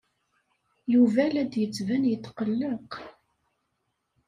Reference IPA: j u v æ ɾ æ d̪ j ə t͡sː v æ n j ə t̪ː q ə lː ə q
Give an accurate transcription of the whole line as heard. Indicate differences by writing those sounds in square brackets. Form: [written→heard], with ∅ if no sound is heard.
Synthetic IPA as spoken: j u v æ [ɾ→l] æ d̪ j ə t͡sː v æ n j ə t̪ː q ə lː ə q